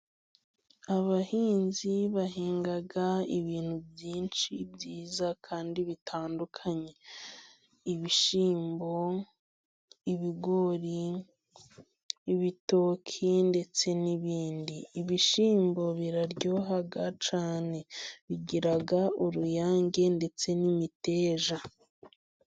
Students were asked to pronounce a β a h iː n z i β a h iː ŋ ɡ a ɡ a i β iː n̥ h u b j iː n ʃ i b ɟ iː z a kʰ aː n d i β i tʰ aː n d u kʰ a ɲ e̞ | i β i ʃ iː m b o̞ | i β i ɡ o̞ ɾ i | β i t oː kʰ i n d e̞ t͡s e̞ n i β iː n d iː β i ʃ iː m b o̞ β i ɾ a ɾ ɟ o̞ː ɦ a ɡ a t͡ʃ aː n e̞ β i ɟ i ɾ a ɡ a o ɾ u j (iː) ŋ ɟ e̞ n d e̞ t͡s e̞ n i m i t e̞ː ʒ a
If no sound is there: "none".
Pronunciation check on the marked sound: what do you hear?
aː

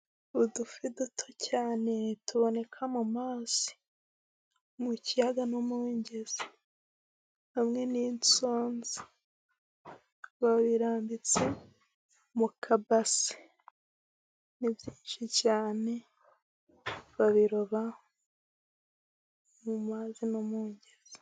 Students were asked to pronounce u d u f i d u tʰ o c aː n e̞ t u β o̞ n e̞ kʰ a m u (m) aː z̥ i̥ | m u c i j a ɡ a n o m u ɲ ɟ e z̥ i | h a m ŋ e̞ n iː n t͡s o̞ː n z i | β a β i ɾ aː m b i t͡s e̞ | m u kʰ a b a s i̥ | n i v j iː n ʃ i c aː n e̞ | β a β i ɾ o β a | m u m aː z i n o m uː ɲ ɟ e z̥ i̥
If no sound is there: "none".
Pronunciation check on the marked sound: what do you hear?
m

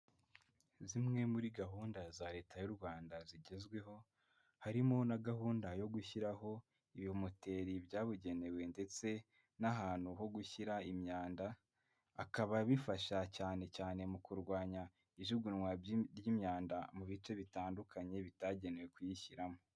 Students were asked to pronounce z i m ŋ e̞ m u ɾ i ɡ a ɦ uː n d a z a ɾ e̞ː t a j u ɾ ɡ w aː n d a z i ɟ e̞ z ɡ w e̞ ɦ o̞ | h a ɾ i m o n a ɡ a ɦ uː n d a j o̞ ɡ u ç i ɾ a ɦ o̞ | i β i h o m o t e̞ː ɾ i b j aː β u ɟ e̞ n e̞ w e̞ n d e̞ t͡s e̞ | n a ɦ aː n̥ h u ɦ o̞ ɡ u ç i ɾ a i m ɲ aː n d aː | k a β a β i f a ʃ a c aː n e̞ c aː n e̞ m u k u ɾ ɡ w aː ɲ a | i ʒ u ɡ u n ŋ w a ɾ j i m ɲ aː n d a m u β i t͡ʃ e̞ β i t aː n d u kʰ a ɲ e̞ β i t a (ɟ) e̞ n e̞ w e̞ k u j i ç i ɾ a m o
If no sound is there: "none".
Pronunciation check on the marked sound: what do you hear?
ɟ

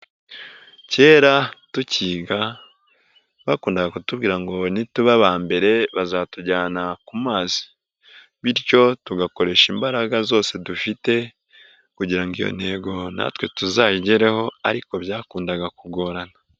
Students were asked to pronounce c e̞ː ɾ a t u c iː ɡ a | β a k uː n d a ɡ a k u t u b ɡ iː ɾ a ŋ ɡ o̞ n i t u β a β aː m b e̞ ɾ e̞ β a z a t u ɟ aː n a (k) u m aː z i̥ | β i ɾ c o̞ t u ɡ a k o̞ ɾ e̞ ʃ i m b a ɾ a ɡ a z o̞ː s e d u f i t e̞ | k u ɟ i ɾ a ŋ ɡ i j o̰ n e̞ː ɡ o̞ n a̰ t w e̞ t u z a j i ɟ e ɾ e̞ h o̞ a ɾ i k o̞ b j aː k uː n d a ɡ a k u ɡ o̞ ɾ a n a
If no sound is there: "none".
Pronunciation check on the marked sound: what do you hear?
k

